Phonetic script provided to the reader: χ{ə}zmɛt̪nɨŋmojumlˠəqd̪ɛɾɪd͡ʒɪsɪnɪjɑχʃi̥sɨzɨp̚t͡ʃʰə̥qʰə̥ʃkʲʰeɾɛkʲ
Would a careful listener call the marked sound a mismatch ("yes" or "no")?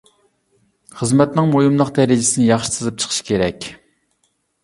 no